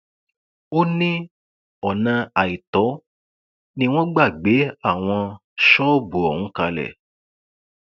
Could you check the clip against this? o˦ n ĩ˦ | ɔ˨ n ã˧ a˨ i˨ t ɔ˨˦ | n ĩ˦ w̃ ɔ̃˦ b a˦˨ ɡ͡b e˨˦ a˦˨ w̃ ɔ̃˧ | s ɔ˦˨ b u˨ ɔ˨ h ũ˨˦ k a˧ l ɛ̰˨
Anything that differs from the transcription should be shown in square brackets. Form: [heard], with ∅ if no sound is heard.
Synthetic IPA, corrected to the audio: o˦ n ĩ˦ | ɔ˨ n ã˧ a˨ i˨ t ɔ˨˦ | n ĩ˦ w̃ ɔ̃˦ [ɡ͡b] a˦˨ ɡ͡b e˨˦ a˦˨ w̃ ɔ̃˧ | [ʃ] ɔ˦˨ b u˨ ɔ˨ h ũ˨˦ k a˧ l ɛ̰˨